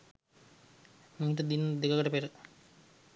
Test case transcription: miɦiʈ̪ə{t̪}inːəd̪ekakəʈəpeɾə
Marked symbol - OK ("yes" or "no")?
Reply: no